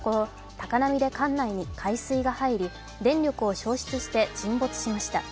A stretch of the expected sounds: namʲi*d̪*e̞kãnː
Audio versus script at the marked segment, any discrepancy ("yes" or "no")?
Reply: no